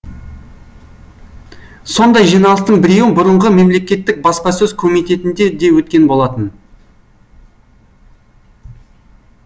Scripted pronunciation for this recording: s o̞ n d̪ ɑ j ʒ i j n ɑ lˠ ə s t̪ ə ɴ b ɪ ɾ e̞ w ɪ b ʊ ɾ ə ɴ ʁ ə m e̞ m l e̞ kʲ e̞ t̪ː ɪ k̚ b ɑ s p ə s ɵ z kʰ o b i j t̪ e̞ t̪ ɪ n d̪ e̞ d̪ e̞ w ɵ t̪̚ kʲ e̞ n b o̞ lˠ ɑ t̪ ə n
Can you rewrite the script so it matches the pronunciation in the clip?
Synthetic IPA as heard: s o̞ n d̪ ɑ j ʒ i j n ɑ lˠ ə s t̪ ə ɴ b ɪ ɾ e̞ w ɪ b ʊ ɾ ə ɴ ʁ ə m e̞ m l e̞ kʲ e̞ t̪ː ɪ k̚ b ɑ s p ɑ s ɵ z kʰ o m i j t̪ e̞ t̪ ɪ n d̪ e̞ d̪ e̞ w ɵ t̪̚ kʲ e̞ n b o̞ lˠ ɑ t̪ ə n